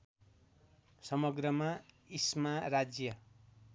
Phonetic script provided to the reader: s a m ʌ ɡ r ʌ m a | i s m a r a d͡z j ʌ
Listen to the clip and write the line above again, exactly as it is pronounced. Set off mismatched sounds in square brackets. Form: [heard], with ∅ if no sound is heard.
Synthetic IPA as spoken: s [ʌ] m ʌ ɡ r ʌ m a | i s m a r a d͡z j ʌ